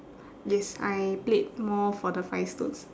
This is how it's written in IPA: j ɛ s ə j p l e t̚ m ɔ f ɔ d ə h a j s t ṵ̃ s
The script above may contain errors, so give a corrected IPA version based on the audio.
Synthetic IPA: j ɛ s a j p l e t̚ m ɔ f ɔ d ə f a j s t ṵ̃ s